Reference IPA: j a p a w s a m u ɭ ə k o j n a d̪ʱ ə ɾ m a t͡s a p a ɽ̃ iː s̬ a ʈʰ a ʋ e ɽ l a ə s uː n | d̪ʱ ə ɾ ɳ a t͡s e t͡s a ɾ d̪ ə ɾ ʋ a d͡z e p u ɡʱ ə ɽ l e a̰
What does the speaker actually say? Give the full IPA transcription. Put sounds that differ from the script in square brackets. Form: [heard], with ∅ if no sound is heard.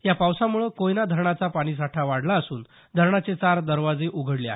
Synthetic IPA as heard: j a p a w s a m u ɭ ə k o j n a d̪ʱ ə ɾ [ɳ] a t͡s a p a ɽ̃ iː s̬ a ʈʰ a ʋ [a] ɽ l a ə s uː n | d̪ʱ ə ɾ ɳ a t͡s e t͡s a ɾ d̪ ə ɾ ʋ a d͡z e [ʔ] u ɡʱ ə ɽ l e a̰